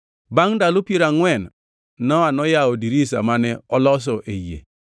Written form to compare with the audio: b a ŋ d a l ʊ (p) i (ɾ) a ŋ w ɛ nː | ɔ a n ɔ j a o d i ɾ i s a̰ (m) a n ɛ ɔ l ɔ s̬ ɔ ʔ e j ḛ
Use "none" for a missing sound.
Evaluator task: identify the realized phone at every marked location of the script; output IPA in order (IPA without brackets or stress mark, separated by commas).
p, ɾ, m